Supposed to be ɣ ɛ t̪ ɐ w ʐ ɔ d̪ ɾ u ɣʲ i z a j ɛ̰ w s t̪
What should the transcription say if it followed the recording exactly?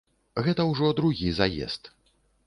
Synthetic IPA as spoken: ɣ ɛ t̪ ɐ w ʐ ɔ d̪ ɾ u ɣʲ i z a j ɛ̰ s t̪